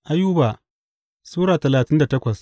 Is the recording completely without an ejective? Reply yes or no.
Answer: yes